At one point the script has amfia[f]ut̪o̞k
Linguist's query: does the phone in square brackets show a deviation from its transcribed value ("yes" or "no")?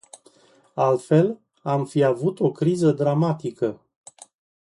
yes